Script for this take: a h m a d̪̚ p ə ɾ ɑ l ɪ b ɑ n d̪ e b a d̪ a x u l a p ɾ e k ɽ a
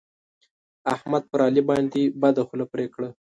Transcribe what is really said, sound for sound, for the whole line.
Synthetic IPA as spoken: a h m a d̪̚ p ə ɾ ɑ l i b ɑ n d̪ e b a d̪ a x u l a p ɾ e k ɽ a